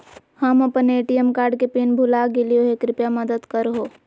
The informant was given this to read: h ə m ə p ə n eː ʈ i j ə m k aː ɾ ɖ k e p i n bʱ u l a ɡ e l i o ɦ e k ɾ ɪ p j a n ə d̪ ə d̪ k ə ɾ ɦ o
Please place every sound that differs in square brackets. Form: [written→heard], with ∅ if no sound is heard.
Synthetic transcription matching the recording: h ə m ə p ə n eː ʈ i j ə m k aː ɾ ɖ k e p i n bʱ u l a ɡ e l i o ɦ e k ɾ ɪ p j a [n→m] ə d̪ ə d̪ k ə ɾ ɦ o